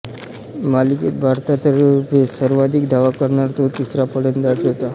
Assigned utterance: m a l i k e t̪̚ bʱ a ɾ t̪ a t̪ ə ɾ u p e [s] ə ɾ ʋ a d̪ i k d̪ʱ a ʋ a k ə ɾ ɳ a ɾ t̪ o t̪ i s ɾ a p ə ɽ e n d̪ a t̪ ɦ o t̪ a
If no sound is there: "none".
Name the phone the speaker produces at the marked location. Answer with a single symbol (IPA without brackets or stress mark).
s